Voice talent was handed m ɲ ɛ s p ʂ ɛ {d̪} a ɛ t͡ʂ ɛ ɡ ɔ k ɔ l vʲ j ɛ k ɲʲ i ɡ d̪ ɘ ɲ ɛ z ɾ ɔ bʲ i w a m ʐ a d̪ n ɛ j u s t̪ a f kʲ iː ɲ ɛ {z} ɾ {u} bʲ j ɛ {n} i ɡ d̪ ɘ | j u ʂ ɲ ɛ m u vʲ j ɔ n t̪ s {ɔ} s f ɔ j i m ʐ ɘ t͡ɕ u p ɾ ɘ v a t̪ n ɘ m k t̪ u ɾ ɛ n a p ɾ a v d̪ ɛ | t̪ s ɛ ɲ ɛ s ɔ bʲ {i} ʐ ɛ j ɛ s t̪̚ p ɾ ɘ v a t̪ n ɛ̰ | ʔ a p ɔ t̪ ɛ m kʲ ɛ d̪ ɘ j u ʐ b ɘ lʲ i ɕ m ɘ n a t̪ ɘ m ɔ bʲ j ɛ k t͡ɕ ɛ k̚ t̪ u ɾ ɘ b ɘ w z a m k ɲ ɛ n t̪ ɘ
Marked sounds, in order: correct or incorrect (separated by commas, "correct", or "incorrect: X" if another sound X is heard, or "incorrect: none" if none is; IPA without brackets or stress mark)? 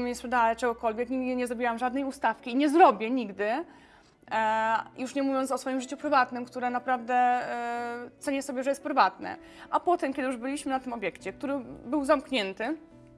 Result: correct, correct, incorrect: ɔ, incorrect: ɲ, correct, incorrect: ɛ